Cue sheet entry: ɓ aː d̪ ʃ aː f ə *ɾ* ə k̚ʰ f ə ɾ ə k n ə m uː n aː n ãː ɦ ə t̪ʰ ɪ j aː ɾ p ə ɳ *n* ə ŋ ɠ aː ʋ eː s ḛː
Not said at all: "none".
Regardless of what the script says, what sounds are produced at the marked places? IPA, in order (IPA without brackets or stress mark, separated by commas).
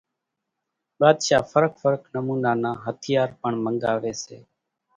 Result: ɾ, m